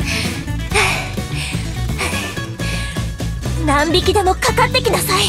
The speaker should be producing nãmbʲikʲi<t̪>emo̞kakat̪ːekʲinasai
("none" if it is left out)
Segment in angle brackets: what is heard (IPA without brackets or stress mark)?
d̪